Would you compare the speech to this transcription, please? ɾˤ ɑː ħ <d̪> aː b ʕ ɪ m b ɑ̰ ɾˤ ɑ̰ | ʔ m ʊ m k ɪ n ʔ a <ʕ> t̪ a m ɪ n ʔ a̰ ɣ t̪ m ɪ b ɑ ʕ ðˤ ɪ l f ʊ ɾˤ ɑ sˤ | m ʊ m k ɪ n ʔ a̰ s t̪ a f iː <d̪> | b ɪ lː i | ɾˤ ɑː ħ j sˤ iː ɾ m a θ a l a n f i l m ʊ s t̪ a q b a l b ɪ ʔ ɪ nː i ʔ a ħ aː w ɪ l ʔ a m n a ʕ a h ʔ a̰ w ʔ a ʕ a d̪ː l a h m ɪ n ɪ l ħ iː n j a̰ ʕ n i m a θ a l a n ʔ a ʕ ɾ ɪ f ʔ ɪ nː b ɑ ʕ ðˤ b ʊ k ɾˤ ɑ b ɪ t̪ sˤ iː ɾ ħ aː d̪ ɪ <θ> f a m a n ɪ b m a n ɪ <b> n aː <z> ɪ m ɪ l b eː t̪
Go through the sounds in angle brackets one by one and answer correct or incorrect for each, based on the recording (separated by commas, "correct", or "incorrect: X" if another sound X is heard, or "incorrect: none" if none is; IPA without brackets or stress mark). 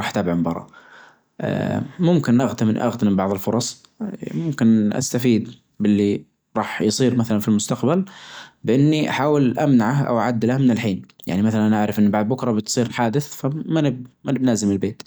incorrect: t̪, incorrect: ɣ, correct, correct, correct, correct